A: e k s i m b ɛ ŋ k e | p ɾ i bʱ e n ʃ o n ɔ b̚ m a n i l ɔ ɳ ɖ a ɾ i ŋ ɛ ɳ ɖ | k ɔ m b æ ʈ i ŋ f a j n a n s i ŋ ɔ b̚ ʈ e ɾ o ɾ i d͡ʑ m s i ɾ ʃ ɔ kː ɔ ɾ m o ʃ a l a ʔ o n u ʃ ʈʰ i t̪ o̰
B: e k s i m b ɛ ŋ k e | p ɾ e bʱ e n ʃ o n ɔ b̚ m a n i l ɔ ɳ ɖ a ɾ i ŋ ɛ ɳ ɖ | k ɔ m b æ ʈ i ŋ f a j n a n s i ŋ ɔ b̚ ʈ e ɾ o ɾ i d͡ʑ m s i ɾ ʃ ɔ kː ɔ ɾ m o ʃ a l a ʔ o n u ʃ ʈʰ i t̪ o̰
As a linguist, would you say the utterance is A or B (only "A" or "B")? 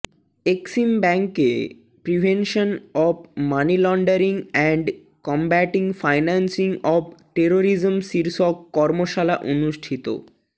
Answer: A